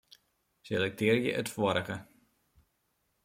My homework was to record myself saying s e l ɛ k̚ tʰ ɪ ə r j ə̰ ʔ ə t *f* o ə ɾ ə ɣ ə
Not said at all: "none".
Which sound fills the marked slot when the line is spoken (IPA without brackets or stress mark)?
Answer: f